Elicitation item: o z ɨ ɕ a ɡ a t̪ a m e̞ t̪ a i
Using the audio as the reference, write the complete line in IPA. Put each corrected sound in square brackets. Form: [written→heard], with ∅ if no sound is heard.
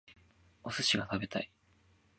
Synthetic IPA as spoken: o [z→s] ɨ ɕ [a→i] ɡ a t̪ a [m→b] e̞ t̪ a i